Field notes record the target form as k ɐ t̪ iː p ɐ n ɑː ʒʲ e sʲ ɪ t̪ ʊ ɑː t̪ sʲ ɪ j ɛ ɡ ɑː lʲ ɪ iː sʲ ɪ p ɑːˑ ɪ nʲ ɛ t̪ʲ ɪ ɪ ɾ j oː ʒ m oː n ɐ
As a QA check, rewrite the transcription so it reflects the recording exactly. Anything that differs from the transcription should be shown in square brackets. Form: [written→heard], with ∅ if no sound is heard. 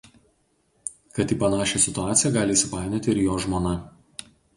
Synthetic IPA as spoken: k ɐ t̪ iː p ɐ n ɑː [ʒʲ→ʃʲ] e sʲ ɪ t̪ ʊ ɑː t̪ sʲ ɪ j ɛ ɡ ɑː lʲ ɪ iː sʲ ɪ p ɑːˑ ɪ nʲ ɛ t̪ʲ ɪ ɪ ɾ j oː ʒ m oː n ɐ